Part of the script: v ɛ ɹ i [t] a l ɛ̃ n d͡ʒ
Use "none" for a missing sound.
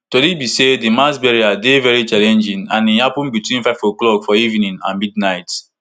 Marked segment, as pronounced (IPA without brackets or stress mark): t͡ʃ